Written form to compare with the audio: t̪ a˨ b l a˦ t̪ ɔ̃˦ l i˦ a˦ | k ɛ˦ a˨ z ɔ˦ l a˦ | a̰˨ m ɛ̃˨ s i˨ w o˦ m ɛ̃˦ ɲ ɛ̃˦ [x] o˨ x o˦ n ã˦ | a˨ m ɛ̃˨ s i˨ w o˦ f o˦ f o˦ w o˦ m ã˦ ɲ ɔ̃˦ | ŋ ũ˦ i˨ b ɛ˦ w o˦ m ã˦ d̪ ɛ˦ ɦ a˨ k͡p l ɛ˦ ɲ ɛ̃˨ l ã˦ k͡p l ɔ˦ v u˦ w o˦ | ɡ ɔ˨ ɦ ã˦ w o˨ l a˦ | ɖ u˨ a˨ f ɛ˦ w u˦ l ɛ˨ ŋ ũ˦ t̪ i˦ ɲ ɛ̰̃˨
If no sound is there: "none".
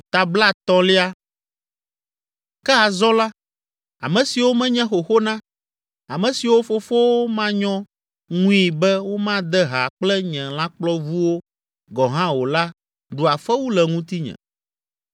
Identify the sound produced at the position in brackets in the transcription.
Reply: x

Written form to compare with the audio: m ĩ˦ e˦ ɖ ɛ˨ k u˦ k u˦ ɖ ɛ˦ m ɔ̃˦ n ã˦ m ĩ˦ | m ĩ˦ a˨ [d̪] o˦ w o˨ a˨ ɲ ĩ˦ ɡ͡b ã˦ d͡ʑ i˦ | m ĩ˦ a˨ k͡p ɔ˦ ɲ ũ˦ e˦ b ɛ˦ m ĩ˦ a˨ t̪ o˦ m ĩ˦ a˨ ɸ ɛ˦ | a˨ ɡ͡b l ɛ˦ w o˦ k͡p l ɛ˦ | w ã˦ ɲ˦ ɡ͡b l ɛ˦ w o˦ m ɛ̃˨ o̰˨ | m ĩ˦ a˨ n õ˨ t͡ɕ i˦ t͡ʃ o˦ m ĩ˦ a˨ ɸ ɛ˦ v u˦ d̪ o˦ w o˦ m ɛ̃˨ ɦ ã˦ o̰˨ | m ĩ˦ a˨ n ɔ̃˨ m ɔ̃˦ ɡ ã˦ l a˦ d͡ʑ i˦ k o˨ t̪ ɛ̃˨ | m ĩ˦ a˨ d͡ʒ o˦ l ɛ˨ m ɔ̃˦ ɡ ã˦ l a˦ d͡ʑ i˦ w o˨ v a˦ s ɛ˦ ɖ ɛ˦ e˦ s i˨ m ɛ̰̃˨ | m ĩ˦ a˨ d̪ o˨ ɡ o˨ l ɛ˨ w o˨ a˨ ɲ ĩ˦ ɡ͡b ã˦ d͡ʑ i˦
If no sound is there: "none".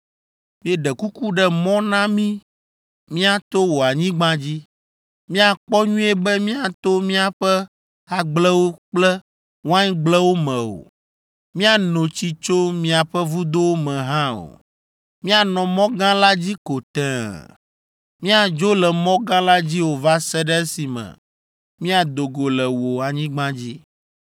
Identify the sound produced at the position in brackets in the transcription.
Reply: t̪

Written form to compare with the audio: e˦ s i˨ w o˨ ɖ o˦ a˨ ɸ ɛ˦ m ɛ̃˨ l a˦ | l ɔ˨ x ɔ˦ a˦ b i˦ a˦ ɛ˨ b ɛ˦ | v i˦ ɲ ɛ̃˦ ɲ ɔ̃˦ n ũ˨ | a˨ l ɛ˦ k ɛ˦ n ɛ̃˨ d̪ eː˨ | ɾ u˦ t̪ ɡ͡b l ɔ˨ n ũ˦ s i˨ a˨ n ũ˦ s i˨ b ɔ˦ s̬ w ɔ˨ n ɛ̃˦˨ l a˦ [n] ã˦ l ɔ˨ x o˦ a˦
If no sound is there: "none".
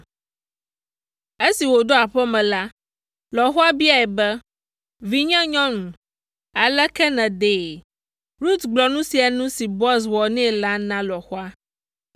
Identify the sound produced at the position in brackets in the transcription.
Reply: n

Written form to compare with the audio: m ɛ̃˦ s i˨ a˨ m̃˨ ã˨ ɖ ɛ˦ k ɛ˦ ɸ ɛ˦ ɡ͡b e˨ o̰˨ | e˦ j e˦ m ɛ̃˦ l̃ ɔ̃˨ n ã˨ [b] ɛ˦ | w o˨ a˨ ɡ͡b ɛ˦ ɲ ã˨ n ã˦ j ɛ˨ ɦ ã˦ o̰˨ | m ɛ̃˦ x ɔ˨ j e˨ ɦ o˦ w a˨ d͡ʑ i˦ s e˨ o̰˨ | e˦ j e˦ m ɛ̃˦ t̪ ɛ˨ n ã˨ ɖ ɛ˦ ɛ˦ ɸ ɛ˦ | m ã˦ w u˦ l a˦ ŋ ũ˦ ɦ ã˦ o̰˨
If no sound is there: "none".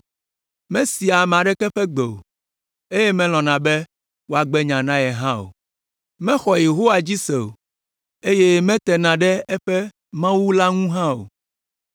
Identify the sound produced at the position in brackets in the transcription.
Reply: b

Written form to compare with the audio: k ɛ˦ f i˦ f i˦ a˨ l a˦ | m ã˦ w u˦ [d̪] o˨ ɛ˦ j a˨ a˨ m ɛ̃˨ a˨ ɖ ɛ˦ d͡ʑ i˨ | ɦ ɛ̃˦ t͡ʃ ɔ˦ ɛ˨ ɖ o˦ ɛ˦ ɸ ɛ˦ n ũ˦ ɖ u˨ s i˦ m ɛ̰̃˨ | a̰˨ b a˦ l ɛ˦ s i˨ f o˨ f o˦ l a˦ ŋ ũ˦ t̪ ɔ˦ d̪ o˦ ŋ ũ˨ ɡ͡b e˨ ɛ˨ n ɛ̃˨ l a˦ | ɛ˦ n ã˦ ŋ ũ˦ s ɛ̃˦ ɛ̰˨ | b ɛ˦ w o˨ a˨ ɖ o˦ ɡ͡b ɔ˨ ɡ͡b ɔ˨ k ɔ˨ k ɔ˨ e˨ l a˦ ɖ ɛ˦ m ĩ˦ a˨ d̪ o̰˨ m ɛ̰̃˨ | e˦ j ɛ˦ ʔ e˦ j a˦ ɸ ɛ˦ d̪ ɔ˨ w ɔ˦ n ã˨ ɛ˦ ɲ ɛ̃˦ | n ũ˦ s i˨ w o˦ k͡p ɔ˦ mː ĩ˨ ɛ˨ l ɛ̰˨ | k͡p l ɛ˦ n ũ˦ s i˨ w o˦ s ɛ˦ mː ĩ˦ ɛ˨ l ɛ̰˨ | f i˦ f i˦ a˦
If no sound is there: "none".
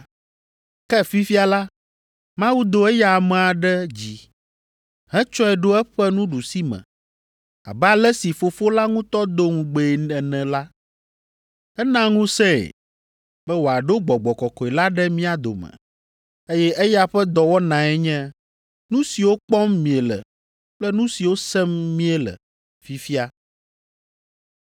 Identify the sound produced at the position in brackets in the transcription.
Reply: d̪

